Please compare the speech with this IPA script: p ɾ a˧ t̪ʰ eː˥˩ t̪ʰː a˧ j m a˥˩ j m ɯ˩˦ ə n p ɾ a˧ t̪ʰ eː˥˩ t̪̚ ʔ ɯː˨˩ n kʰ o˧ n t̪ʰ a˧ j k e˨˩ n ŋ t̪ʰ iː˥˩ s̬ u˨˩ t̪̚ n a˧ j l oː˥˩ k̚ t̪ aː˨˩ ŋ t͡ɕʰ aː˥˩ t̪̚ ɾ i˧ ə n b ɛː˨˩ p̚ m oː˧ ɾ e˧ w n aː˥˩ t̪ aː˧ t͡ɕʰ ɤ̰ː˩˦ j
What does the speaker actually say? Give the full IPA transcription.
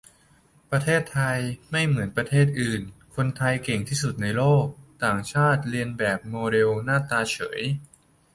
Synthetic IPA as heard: p ɾ a˧ t̪ʰ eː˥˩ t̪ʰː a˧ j m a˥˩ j m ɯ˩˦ ə n p ɾ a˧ t̪ʰ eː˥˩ t̪̚ ʔ ɯː˨˩ n kʰ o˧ n t̪ʰ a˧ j k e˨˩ ŋ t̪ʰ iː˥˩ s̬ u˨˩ t̪̚ n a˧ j l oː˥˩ k̚ t̪ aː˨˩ ŋ t͡ɕʰ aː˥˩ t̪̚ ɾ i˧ ə n b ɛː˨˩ p̚ m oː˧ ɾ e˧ w n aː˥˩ t̪ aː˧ t͡ɕʰ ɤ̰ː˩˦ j

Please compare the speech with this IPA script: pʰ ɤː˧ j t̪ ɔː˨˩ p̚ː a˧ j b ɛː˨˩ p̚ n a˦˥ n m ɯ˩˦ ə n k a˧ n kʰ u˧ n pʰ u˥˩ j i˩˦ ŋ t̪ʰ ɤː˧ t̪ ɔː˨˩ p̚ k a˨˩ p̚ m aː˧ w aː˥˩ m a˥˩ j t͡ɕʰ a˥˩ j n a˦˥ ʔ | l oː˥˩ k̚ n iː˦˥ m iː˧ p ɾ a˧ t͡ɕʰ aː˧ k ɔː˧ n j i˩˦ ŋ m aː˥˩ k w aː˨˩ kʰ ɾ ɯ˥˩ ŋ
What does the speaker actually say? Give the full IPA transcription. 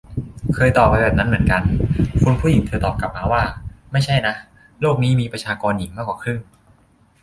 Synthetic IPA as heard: kʰ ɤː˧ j t̪ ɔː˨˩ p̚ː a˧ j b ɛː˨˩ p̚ n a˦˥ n m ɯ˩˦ ə n k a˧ n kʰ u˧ n pʰ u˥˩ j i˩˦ ŋ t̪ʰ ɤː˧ t̪ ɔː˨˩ p̚ k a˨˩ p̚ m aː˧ w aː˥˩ m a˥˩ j t͡ɕʰ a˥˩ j n a˦˥ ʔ | l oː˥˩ k̚ n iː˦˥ m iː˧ p ɾ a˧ t͡ɕʰ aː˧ k ɔː˧ n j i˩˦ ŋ m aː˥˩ k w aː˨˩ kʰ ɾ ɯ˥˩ ŋ

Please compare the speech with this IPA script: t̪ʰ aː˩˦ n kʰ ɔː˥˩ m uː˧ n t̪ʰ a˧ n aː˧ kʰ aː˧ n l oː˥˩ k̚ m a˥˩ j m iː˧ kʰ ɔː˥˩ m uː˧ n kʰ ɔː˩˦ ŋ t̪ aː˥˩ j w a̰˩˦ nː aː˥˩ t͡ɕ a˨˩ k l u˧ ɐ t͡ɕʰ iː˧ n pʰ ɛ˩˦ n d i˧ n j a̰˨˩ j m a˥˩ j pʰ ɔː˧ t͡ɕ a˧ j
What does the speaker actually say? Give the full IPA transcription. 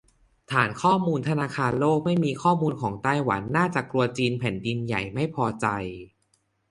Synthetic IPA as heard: t̪ʰ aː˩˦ n kʰ ɔː˥˩ m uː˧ n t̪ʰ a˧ n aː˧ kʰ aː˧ n l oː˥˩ k̚ m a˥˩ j m iː˧ kʰ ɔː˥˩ m uː˧ n kʰ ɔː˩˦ ŋ t̪ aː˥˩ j w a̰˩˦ nː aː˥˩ t͡ɕ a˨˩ k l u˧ ɐ t͡ɕ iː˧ n pʰ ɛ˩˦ n d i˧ n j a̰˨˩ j m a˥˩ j pʰ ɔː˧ t͡ɕ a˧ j

